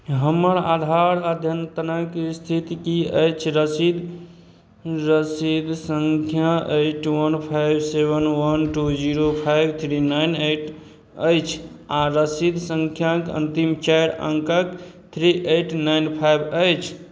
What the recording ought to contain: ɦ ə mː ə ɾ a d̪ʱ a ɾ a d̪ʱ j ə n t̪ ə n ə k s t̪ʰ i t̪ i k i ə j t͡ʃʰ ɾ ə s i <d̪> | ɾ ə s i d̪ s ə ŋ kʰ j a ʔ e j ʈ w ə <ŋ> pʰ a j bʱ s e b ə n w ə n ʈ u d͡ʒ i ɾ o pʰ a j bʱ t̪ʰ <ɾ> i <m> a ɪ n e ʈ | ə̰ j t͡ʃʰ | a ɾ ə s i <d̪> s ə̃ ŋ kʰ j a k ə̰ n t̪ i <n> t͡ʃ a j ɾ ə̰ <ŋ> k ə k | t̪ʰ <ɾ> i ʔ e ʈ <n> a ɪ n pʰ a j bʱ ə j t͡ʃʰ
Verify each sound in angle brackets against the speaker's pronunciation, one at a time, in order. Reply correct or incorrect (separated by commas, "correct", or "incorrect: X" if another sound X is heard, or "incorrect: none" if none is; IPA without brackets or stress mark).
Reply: correct, incorrect: n, correct, incorrect: n, correct, incorrect: m, correct, correct, correct